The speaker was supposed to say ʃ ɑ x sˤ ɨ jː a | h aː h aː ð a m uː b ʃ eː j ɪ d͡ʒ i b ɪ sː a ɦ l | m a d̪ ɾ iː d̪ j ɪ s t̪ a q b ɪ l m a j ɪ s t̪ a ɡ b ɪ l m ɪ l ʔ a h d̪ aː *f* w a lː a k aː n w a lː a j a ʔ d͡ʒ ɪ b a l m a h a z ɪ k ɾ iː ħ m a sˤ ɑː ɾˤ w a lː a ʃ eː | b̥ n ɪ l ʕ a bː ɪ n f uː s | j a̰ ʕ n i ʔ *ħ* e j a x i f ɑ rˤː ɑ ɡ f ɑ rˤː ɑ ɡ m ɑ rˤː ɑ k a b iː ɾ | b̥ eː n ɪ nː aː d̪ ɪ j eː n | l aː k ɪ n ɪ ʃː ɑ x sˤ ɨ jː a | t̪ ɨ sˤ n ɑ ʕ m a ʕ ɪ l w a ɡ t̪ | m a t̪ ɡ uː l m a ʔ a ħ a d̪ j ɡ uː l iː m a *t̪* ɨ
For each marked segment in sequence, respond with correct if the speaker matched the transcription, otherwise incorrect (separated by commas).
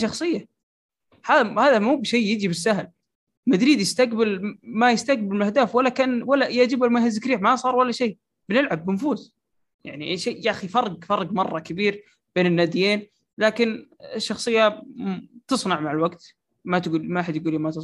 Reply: correct, incorrect, correct